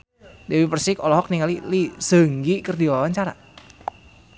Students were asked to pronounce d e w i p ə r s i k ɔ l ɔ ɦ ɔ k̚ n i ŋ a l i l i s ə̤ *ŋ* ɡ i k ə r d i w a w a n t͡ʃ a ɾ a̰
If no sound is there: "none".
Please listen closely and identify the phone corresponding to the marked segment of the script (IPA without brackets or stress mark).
ŋ